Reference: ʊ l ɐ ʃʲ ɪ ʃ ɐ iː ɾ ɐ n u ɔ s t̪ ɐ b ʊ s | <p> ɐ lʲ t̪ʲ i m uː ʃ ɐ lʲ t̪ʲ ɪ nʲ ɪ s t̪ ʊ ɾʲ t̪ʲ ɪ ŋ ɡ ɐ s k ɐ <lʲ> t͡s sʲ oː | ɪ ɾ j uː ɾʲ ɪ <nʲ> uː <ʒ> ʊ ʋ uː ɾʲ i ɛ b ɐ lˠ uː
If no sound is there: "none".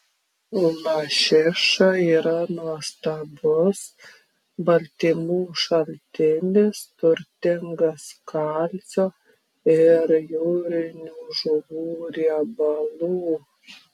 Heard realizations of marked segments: b, lʲ, nʲ, ʒ

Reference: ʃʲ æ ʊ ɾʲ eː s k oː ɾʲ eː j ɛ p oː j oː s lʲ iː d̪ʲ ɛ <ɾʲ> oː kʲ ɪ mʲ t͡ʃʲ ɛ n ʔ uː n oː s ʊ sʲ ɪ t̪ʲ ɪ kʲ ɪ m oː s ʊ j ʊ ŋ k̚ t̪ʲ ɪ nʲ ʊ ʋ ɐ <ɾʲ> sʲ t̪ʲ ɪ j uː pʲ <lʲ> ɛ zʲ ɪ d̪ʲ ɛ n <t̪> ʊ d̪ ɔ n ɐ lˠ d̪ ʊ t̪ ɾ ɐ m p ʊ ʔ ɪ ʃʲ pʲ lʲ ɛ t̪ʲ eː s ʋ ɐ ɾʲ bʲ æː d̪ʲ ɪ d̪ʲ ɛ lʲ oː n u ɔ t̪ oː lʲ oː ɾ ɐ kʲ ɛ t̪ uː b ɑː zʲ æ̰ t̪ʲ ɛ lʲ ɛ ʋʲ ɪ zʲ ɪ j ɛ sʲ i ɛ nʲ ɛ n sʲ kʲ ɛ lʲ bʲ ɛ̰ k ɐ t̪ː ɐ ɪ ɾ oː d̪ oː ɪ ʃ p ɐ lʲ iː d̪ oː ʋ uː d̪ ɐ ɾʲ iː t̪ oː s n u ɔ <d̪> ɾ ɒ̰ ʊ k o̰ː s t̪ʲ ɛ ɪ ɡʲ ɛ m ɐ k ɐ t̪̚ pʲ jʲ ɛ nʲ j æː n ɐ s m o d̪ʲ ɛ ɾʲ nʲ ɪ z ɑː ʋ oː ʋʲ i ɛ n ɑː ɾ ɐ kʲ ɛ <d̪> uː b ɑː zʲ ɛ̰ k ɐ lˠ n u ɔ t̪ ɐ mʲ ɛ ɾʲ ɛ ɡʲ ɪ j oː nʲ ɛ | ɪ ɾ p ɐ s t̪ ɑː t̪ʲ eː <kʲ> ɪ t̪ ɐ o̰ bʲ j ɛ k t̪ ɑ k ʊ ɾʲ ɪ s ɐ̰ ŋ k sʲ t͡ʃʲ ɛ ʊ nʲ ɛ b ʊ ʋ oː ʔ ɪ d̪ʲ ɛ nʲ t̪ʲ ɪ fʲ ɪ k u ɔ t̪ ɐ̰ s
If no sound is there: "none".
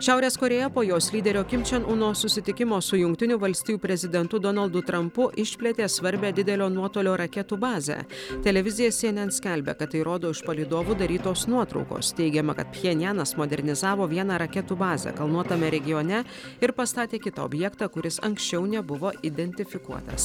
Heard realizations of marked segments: ɾʲ, lʲ, ɾʲ, t̪, t̪, t̪, kʲ

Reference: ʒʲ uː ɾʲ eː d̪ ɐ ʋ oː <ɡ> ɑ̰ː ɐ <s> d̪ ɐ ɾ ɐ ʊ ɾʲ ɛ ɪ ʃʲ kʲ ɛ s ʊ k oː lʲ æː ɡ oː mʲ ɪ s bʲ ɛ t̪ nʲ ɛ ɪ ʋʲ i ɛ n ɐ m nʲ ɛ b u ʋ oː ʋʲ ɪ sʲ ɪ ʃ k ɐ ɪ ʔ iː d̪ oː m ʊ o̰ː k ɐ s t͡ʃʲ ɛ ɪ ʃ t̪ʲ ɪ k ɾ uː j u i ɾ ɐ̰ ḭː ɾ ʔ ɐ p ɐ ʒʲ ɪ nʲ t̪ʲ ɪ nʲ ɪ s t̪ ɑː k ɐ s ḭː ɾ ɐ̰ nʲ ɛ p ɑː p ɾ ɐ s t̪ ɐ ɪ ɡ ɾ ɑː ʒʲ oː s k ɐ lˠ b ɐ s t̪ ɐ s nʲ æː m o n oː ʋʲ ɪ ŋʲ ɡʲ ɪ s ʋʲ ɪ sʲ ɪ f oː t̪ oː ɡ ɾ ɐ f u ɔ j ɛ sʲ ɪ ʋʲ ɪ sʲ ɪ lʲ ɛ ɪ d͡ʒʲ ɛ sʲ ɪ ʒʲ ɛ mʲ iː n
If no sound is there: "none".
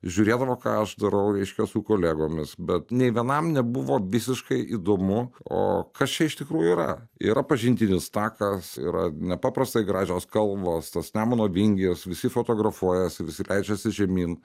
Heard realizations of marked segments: k, ʃ

